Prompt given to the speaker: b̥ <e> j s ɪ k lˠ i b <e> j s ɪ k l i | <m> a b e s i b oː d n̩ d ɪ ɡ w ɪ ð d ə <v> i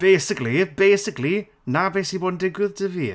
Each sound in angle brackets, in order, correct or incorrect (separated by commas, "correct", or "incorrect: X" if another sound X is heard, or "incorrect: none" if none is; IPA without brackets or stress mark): correct, correct, incorrect: n, correct